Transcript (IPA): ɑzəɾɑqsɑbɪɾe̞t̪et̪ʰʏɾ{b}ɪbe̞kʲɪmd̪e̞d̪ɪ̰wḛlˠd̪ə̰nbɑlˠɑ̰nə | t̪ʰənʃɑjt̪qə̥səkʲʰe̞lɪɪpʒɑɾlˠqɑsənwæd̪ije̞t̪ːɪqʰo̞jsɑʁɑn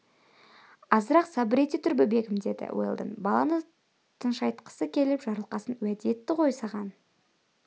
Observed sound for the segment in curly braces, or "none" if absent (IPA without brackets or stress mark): b